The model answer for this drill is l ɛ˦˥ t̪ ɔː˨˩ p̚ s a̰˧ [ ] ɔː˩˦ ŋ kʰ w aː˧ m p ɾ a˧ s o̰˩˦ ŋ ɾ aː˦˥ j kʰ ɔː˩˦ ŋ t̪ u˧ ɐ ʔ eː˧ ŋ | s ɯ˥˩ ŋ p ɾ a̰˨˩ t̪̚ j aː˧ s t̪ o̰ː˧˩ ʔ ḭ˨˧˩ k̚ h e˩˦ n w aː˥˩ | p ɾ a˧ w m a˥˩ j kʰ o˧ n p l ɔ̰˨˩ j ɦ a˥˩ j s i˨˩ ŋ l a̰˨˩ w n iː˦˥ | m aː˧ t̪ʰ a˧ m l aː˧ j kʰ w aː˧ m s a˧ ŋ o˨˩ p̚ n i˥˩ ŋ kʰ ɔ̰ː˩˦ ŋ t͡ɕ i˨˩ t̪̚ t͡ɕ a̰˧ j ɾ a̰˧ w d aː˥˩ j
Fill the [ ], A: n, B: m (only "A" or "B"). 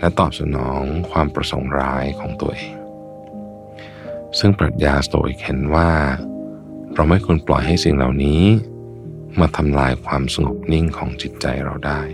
A